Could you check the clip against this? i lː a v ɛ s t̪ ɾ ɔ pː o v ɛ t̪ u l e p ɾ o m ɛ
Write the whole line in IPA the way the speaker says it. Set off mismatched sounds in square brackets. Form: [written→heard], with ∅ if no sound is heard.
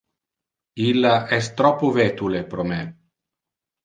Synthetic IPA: i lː a [v→∅] ɛ s t̪ ɾ ɔ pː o v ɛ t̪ u l e p ɾ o m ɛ